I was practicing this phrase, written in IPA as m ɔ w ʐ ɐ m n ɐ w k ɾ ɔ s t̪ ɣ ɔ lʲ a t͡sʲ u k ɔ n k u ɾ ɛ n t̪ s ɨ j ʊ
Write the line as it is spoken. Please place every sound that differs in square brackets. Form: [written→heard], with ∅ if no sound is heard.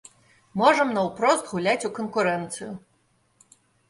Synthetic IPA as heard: m ɔ [w→∅] ʐ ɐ m n ɐ w [k→p] ɾ ɔ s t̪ ɣ [ɔ→u] lʲ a t͡sʲ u k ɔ n k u ɾ ɛ n t̪ s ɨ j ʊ